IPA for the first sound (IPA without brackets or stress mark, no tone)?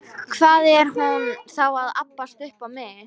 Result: kʰ